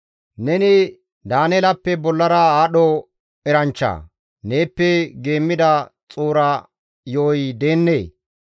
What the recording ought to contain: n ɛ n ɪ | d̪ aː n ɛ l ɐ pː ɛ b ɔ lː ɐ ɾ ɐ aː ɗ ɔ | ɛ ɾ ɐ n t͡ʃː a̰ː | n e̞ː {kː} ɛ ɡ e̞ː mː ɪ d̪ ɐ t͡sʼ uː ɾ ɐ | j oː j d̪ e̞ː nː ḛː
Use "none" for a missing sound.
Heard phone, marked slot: pː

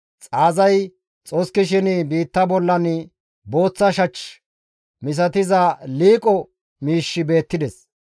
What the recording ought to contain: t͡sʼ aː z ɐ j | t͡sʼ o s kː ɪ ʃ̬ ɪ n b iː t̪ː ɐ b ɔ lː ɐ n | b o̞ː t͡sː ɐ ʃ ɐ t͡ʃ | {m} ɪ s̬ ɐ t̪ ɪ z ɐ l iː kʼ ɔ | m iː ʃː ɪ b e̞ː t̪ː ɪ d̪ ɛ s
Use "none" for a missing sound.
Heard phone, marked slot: m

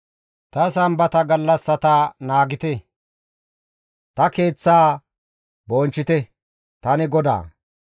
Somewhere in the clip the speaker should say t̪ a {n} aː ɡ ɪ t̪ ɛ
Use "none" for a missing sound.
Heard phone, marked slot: n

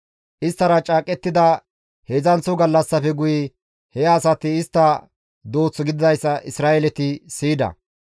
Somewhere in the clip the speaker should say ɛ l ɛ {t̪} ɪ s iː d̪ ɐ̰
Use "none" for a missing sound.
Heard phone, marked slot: t̪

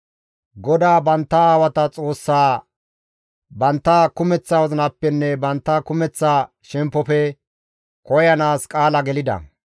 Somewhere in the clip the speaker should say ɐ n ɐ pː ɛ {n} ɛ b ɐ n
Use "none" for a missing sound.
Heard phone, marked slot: nː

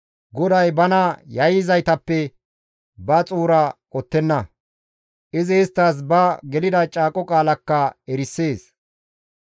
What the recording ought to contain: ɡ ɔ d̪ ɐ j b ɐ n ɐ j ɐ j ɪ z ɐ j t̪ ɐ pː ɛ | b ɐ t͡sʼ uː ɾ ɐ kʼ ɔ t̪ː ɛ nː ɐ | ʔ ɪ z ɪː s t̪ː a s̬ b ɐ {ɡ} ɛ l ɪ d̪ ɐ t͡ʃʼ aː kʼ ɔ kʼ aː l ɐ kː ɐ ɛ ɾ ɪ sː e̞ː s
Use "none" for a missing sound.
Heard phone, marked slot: ɡ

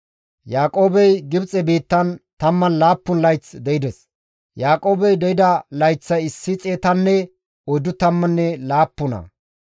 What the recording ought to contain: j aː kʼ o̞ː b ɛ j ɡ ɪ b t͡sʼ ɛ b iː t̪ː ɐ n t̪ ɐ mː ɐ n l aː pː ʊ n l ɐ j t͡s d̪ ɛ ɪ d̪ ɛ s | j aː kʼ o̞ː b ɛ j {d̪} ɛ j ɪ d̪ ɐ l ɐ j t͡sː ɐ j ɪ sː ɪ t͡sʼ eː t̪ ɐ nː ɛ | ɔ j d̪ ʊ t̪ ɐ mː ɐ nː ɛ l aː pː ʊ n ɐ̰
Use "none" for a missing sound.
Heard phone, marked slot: d̪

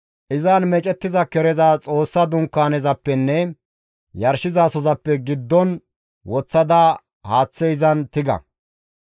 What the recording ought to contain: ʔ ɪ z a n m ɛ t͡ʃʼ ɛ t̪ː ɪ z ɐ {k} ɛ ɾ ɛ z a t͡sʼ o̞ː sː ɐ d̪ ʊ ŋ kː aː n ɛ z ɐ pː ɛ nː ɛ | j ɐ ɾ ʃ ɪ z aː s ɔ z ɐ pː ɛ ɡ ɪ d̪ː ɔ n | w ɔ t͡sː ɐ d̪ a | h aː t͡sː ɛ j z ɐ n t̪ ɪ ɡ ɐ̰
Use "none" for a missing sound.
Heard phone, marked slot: k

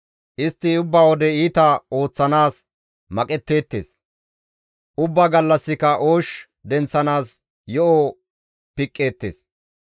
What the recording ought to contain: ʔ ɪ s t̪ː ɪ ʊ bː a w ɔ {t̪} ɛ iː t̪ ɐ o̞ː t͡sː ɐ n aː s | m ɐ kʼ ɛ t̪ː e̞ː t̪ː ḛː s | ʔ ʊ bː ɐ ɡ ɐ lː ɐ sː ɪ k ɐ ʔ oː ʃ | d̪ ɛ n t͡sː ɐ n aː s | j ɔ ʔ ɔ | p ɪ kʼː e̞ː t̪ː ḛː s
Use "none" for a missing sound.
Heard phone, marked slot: d̪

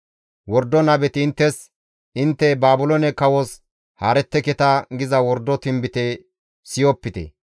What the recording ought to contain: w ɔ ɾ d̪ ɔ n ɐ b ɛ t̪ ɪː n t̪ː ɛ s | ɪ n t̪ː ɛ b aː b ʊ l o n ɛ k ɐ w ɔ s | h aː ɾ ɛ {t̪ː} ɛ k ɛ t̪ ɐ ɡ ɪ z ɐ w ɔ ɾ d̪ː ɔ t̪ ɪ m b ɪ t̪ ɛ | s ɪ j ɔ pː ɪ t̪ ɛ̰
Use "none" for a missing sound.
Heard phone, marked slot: t̪ː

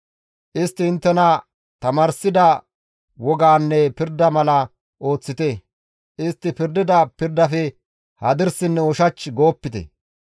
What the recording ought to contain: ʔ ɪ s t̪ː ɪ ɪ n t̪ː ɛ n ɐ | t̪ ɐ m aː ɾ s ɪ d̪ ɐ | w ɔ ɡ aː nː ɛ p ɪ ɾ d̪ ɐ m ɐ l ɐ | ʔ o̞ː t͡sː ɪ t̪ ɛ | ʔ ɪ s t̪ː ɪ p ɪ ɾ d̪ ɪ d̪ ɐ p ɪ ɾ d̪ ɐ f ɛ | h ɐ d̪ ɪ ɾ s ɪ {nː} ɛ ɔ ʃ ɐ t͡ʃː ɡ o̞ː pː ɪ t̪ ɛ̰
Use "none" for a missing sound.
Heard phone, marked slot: nː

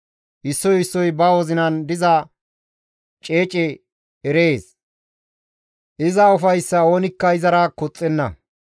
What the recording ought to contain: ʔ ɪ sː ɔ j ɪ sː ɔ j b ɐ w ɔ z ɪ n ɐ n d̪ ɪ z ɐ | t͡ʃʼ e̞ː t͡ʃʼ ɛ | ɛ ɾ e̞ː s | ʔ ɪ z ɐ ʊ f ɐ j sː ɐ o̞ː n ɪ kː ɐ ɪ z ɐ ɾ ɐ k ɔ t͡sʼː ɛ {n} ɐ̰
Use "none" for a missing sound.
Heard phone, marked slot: nː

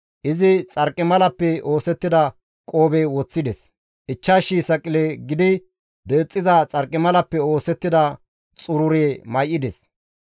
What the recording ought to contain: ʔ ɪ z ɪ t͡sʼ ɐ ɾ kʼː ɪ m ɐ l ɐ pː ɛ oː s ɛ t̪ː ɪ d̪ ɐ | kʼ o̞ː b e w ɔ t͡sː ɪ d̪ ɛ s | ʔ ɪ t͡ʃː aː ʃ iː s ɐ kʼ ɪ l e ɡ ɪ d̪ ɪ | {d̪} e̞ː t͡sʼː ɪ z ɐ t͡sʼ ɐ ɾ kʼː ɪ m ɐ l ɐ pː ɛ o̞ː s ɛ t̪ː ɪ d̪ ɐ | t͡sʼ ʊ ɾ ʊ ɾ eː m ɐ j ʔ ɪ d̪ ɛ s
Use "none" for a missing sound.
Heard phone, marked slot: d̪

